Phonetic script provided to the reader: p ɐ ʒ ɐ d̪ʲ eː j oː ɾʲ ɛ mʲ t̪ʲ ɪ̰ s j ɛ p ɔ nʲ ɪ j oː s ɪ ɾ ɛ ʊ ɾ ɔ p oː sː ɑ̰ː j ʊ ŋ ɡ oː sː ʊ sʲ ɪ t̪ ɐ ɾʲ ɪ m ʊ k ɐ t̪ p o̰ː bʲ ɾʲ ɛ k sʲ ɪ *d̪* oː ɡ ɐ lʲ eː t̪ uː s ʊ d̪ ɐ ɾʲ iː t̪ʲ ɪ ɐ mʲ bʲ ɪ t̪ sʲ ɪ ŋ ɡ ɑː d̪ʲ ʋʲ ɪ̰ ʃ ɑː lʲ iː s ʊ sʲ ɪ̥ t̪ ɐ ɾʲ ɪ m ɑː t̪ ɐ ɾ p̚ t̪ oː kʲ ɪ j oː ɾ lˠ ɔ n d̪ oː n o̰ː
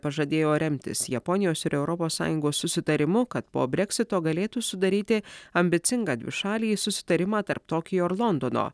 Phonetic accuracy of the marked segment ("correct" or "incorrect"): incorrect